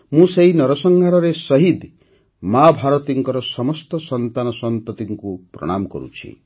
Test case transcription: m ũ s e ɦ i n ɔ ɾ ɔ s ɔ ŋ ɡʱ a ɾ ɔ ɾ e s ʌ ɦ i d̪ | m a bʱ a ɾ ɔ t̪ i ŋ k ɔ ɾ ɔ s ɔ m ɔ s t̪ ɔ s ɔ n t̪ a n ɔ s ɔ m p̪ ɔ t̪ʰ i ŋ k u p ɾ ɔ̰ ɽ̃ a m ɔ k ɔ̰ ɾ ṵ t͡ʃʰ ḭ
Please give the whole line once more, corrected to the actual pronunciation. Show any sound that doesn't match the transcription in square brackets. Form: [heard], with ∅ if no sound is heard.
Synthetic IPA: m ũ s e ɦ i n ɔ ɾ ɔ s ɔ ŋ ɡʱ a ɾ ɔ ɾ e s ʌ ɦ i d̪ | m a bʱ a ɾ ɔ t̪ i ŋ k ɔ ɾ ɔ s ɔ m ɔ s t̪ ɔ s ɔ n t̪ a n ɔ s ɔ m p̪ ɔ [t̪] i ŋ k u p ɾ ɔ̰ ɽ̃ a m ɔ k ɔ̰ ɾ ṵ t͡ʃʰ ḭ